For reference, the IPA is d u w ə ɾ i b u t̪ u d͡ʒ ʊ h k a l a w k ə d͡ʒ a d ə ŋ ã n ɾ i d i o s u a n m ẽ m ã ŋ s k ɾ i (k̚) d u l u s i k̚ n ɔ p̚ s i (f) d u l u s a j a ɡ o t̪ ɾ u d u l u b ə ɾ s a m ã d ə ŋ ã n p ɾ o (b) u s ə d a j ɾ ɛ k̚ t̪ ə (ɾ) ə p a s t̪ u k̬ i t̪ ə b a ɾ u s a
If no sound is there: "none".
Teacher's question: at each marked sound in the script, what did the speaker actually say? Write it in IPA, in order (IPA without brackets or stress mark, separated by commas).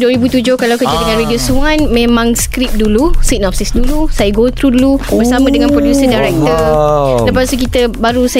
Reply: p̚, s, d, l